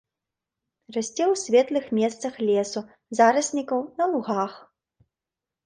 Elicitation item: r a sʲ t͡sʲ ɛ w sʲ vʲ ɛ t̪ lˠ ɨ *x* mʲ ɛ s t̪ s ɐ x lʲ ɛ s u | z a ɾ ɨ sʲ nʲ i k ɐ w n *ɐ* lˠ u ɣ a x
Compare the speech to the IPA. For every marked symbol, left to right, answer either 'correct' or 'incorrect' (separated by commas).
correct, correct